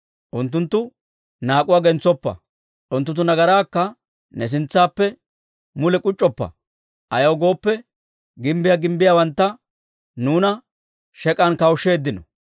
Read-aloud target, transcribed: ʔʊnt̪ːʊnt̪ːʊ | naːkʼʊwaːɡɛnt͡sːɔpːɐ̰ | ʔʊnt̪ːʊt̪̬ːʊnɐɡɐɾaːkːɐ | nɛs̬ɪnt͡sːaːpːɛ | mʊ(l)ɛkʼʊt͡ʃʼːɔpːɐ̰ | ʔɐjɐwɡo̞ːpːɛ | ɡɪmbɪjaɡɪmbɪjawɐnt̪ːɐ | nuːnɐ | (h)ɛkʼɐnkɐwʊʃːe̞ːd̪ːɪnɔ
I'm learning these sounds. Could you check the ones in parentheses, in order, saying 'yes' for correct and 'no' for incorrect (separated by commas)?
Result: yes, no